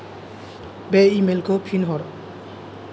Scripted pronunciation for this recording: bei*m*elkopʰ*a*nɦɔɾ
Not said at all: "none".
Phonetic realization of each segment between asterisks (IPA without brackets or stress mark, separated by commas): m, i